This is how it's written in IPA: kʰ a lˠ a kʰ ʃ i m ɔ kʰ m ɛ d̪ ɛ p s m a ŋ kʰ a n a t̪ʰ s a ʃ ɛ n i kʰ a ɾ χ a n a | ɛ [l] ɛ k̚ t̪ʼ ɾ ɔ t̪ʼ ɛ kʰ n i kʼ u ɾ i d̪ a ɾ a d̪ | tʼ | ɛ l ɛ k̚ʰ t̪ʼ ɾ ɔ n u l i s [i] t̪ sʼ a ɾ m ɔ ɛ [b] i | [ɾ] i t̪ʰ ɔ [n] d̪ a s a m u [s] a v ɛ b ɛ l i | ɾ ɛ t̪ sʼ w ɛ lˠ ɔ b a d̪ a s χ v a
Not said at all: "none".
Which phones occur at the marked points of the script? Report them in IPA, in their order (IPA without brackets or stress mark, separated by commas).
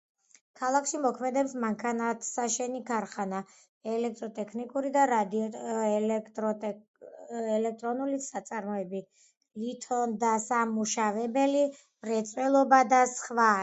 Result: l, a, b, l, n, ʃ